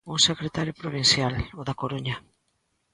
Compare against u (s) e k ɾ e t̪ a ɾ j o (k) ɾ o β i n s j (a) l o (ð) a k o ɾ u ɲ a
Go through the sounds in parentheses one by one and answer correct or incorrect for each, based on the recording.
correct, incorrect, correct, correct

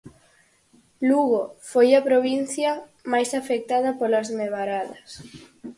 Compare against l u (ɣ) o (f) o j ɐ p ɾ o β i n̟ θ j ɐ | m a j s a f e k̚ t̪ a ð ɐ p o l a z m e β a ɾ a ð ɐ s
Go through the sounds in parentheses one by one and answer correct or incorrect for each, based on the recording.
correct, correct

